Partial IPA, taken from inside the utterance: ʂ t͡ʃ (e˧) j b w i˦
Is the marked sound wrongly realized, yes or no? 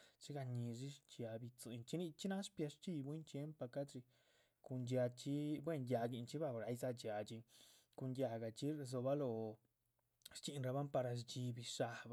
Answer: yes